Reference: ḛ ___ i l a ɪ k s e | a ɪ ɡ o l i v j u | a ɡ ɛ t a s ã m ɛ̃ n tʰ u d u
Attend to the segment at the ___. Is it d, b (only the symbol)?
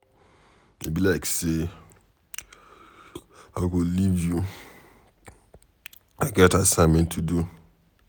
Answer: b